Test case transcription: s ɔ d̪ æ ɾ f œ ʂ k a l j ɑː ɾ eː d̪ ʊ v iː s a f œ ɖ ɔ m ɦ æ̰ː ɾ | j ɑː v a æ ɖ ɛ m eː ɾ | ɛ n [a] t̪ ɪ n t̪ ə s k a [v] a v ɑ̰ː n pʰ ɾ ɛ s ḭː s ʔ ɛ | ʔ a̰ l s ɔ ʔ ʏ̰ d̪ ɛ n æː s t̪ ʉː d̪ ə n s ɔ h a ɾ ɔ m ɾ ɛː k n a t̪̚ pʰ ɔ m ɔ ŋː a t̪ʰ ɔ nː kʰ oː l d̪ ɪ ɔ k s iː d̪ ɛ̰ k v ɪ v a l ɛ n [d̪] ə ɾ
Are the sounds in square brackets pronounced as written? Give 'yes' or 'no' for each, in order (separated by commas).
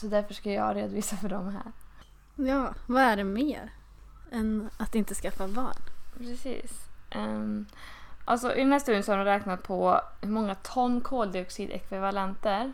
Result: yes, no, no